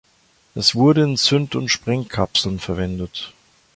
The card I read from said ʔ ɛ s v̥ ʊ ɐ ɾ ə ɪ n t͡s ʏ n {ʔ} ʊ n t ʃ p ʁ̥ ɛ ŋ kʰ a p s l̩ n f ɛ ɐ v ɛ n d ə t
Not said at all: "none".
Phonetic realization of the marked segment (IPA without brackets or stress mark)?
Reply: t